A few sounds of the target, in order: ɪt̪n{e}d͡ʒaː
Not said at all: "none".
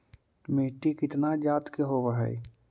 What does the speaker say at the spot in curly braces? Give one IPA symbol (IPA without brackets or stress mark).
a